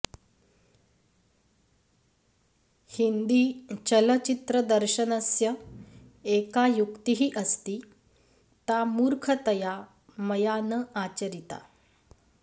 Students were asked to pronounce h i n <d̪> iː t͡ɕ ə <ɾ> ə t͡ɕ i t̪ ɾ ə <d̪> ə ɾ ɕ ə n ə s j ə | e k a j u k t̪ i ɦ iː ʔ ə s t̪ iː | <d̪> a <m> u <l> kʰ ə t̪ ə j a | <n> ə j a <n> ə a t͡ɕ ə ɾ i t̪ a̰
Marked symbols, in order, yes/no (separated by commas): yes, no, yes, no, yes, no, no, yes